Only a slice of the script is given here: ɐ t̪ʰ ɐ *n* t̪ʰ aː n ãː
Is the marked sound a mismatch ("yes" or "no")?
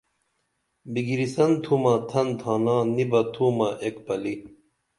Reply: no